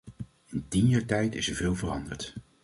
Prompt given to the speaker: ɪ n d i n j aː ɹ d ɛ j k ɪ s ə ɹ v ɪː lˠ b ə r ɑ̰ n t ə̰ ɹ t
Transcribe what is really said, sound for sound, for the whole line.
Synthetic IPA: ɪ n t i n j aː ɹ t ɛ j t ɪ s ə ɹ v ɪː lˠ v ə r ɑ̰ n d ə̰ ɹ t